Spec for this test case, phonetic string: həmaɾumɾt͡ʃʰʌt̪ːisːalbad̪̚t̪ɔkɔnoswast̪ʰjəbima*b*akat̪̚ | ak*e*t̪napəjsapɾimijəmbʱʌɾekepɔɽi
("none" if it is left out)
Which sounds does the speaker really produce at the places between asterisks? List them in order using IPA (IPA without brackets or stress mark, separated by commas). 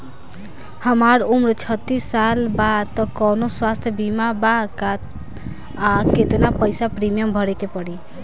b, e